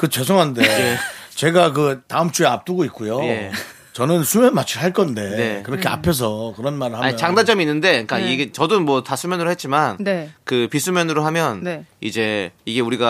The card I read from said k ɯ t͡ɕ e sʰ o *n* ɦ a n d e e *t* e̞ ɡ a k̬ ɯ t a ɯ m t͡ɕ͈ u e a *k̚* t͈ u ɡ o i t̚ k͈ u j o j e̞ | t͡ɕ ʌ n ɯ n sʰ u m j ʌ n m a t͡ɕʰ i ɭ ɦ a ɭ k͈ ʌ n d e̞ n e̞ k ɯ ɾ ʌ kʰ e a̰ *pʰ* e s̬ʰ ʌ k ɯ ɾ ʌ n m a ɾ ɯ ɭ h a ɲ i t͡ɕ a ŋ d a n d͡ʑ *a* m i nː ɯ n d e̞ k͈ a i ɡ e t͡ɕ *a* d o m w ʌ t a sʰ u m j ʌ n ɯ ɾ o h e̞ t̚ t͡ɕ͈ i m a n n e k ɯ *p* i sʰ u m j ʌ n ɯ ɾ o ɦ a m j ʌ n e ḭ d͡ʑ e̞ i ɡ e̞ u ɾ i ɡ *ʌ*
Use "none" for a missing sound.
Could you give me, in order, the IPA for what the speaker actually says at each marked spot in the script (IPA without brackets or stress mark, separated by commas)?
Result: ŋ, t͡ɕ, p̚, pʰ, ʌ, ʌ, p, a